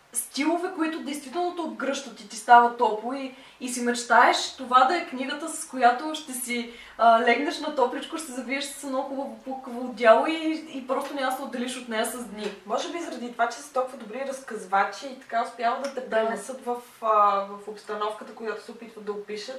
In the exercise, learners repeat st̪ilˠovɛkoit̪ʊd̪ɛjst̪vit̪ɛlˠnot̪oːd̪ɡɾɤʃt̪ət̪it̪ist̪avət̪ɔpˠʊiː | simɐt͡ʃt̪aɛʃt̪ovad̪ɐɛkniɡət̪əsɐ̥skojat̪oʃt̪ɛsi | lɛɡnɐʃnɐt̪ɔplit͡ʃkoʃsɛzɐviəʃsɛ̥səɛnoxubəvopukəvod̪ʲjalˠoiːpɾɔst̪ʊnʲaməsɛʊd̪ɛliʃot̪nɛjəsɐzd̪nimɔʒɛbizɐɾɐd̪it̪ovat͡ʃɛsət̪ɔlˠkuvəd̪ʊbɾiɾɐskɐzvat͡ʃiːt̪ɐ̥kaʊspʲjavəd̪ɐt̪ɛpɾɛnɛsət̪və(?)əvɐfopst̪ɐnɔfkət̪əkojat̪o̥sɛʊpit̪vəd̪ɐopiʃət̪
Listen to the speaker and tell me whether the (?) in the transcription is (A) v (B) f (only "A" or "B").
B